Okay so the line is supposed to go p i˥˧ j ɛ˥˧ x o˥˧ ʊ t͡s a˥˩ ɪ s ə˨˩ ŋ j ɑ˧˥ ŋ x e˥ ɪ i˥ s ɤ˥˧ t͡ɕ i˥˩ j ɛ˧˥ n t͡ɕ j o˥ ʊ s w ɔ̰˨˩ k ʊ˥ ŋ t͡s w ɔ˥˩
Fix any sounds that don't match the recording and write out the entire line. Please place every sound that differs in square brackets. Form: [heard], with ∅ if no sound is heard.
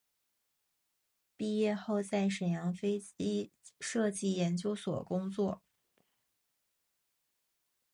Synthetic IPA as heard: p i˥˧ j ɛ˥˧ x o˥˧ ʊ t͡s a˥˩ ɪ [ʂ] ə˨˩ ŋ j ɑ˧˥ ŋ [f] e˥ ɪ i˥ [ʂ] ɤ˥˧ t͡ɕ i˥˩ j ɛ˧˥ n t͡ɕ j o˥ ʊ s w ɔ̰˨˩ k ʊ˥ ŋ t͡s w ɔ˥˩